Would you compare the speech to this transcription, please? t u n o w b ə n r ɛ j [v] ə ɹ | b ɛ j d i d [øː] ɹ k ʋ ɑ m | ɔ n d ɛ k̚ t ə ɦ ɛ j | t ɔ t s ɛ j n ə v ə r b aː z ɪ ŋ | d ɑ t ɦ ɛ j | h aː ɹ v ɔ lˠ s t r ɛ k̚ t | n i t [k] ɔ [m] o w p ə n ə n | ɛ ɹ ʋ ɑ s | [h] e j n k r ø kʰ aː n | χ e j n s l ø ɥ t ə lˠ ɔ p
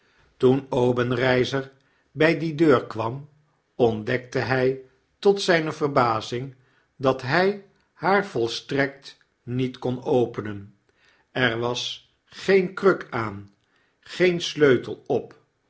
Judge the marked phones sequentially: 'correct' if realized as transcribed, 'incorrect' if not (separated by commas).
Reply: incorrect, correct, correct, incorrect, incorrect